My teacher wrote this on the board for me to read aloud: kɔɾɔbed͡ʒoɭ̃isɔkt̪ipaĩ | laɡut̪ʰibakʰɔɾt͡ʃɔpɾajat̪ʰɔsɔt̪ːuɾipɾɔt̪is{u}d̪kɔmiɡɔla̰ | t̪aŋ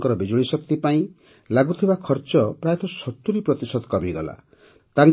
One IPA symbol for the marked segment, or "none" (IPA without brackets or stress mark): ɔ